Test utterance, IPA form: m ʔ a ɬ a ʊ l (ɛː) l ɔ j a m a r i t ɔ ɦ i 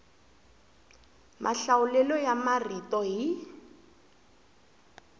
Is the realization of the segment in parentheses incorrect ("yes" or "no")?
yes